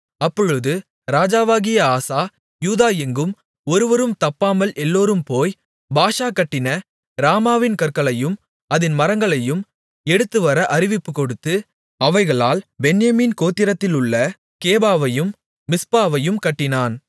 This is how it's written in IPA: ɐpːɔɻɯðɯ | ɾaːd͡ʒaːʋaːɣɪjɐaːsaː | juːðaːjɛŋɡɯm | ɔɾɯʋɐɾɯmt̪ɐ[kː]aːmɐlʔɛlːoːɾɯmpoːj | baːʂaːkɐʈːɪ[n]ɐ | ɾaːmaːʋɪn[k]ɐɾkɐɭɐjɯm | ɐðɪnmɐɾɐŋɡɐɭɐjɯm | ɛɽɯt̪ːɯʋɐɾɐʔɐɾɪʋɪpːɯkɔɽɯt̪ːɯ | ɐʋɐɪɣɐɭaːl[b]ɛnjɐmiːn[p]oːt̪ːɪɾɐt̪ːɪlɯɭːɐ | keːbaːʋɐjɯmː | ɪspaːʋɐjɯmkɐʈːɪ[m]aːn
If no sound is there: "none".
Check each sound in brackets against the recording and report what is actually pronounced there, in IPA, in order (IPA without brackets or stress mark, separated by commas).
pː, n, k, b, k, n